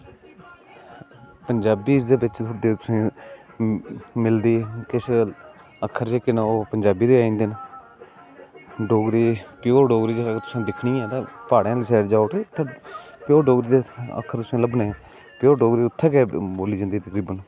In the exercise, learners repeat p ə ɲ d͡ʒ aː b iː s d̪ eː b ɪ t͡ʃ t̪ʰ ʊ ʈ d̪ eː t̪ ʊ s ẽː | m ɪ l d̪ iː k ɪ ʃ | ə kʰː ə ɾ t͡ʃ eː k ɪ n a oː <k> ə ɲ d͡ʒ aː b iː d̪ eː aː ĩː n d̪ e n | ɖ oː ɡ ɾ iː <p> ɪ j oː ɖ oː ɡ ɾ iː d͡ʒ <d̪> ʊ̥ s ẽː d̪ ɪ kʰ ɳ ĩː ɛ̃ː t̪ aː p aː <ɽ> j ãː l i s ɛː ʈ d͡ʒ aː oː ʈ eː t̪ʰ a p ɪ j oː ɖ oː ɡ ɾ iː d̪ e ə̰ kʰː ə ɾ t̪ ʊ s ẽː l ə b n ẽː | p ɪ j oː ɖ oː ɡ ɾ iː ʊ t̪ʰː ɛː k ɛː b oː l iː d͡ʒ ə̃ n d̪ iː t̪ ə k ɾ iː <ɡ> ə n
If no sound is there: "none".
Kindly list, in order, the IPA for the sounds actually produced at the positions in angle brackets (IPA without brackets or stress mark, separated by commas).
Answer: p, p, t̪, ɽ, b